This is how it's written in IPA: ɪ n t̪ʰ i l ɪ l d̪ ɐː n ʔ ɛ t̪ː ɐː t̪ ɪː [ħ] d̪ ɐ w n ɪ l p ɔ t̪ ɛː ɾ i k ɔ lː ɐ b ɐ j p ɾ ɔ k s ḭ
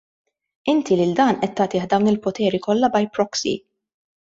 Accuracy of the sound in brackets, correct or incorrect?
correct